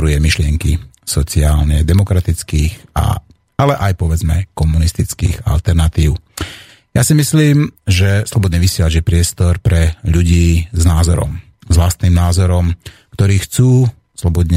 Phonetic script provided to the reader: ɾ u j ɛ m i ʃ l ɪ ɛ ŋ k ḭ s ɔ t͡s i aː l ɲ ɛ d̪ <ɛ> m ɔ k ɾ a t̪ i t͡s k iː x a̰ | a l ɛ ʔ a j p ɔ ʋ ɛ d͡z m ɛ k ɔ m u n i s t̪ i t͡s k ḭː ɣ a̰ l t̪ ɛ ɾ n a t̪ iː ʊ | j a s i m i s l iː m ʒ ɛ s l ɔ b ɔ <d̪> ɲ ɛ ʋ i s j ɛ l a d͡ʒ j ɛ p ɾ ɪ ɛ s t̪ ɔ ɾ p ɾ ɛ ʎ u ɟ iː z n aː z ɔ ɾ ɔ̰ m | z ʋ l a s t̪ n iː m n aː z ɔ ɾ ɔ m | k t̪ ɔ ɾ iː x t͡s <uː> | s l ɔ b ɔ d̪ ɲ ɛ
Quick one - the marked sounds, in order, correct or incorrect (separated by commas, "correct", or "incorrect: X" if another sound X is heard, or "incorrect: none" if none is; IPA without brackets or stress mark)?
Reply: correct, correct, correct